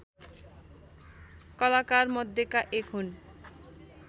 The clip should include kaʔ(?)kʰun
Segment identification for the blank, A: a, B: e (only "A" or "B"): B